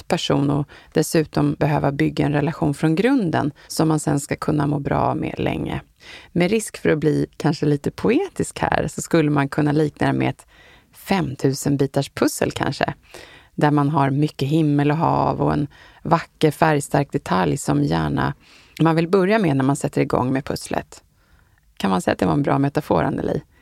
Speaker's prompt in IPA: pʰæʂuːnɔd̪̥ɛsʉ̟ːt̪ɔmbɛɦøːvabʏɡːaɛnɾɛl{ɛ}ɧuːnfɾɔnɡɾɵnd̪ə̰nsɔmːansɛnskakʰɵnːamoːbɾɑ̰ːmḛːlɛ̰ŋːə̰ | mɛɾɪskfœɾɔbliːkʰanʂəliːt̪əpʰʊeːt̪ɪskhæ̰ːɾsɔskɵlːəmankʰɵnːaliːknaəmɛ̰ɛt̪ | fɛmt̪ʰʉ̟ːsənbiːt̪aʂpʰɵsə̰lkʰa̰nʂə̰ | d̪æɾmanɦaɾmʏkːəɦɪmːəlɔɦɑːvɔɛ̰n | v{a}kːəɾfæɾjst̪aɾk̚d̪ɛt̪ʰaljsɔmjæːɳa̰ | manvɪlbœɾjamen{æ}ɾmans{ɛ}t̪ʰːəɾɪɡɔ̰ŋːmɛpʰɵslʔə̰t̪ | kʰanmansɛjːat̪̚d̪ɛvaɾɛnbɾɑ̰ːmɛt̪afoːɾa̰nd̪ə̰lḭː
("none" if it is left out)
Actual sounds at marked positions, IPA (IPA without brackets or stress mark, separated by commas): a, a, æ, ɛ